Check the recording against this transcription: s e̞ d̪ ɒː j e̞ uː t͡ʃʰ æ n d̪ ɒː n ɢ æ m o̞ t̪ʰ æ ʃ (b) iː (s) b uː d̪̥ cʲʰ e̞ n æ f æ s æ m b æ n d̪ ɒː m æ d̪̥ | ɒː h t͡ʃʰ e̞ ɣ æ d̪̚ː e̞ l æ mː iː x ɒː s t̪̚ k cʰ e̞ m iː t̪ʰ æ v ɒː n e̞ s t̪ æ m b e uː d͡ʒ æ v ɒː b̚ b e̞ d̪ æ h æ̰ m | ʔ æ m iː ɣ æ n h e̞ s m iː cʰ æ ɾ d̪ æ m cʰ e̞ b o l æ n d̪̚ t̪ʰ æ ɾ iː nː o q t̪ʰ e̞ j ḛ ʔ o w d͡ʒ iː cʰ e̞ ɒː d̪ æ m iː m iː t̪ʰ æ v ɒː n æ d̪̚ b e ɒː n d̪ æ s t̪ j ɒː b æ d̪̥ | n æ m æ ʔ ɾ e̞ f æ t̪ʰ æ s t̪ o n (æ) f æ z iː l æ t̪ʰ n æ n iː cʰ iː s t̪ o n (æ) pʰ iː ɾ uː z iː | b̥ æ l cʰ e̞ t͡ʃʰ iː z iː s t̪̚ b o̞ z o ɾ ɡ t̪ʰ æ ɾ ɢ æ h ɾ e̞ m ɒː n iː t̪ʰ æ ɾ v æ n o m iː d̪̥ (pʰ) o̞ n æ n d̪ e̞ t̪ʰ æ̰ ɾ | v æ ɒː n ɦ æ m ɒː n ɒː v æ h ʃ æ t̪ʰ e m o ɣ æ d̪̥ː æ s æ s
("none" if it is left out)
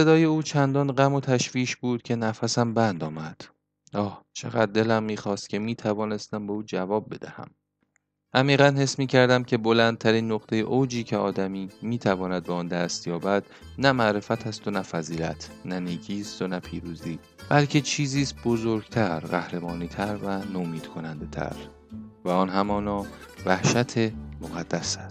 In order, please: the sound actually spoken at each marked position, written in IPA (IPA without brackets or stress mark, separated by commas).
v, ʃ, æ, æ, kʰ